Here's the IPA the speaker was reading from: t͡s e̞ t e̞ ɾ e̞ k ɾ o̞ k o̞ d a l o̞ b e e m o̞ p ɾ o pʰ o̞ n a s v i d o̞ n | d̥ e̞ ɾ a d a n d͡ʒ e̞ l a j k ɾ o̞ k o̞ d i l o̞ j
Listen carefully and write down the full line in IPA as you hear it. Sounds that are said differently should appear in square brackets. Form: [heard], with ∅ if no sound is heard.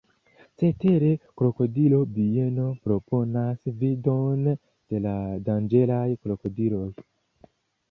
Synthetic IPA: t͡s e̞ t e̞ ɾ e̞ k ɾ o̞ k o̞ d [i] l o̞ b [i] e [n] o̞ p ɾ o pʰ o̞ n a s v i d o̞ n | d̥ e̞ [l] a d a n d͡ʒ e̞ l a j k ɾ o̞ k o̞ d i l o̞ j